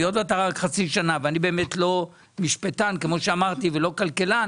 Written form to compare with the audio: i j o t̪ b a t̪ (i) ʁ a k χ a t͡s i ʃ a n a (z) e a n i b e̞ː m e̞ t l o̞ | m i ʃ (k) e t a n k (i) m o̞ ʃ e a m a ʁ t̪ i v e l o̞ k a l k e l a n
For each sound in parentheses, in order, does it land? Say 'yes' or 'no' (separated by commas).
no, no, no, no